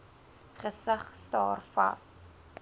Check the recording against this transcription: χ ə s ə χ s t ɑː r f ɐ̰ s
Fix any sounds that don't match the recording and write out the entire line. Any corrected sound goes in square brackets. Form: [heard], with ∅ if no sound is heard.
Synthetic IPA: χ ə s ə χ s t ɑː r f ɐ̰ s